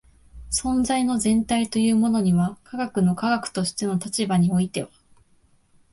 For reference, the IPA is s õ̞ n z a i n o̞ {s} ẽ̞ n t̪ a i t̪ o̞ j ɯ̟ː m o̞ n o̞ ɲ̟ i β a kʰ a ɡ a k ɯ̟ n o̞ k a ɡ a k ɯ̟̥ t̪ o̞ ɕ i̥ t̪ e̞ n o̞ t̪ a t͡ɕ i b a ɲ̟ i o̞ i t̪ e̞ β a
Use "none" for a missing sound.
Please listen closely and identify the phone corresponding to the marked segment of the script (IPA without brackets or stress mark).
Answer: z